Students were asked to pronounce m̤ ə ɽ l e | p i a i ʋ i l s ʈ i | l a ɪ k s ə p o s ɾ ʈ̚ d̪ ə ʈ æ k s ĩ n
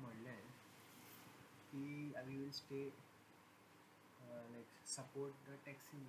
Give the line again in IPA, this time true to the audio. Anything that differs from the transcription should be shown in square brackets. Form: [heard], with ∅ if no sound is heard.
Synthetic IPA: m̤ ə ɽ l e | [k] i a i ʋ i l s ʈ [e] | l a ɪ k s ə p o [∅] ɾ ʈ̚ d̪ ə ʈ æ k s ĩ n